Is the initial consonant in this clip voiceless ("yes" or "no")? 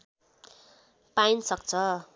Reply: yes